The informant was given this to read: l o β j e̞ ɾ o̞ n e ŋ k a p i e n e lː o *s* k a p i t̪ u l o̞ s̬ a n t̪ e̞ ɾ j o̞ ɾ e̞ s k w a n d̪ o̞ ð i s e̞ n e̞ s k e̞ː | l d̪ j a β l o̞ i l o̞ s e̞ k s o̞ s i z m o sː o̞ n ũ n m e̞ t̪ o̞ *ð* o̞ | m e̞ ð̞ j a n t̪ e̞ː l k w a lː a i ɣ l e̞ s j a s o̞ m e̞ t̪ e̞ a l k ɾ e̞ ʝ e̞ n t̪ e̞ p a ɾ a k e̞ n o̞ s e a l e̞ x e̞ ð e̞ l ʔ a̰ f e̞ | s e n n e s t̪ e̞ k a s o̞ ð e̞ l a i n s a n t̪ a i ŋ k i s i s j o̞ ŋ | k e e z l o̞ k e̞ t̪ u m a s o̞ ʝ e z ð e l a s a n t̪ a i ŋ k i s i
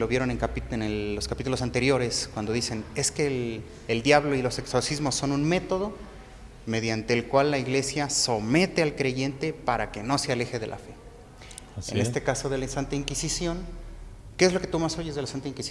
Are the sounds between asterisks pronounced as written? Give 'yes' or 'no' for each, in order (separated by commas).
yes, yes